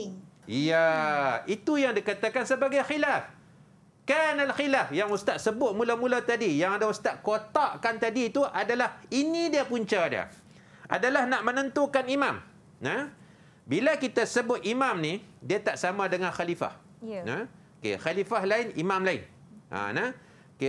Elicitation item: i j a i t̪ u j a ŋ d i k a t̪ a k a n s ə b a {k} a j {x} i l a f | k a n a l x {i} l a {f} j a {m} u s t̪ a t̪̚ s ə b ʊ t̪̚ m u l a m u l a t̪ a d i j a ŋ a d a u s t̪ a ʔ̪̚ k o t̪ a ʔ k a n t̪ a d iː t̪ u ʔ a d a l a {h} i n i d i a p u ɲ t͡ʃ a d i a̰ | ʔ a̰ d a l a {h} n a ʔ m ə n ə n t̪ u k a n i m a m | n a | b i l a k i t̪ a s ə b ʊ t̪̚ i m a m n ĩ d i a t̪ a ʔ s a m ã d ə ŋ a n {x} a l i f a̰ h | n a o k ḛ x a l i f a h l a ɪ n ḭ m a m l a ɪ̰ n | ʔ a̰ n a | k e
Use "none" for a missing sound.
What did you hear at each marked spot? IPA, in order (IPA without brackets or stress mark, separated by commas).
ɡ, x, i, f, ŋ, h, h, x